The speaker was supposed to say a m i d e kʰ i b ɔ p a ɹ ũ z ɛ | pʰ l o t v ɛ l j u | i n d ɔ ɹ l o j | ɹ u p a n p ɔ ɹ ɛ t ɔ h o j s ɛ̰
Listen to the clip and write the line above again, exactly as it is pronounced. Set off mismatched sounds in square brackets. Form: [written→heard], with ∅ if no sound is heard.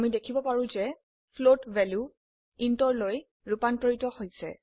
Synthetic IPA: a m i d e kʰ i b ɔ p a ɹ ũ z ɛ | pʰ l o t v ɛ l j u | i n [d→t] ɔ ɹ l o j | ɹ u p a n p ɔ ɹ [ɛ→i] t ɔ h o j s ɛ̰